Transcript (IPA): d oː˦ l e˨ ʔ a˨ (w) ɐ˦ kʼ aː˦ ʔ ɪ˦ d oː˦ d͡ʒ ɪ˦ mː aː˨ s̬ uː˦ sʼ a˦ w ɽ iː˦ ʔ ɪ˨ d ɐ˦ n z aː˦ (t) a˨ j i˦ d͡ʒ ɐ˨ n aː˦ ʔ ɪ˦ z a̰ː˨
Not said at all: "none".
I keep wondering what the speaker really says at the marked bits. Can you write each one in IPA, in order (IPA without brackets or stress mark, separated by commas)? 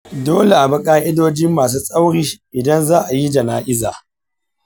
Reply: b, ʔ